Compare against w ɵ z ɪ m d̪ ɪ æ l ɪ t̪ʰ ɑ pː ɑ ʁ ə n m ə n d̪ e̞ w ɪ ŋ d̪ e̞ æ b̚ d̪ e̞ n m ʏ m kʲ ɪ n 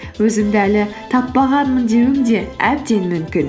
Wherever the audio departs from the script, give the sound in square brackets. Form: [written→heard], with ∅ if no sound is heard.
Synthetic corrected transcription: w ɵ z ɪ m d̪ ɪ æ l ɪ t̪ʰ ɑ pː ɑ ʁ [ə→ɑ] n m ə n d̪ e̞ w ɪ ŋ d̪ e̞ æ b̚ d̪ e̞ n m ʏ m kʲ ɪ n